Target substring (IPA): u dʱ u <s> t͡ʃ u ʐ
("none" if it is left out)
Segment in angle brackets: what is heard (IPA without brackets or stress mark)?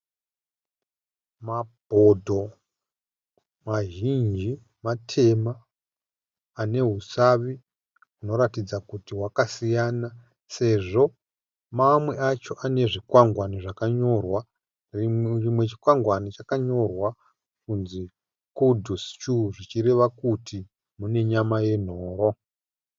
s